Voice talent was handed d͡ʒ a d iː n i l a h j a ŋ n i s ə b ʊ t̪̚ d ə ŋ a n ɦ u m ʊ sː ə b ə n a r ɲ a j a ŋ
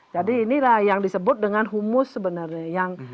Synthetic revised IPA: d͡ʒ a d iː n i l a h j a ŋ d i s ə b ʊ t̪̚ d ə ŋ a n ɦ u m ʊ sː ə b ə n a r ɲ a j a ŋ